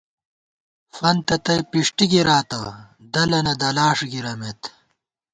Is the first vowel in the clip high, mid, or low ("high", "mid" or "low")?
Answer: low